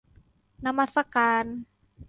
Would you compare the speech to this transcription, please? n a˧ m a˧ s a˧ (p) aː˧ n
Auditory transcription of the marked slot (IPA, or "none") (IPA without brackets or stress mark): k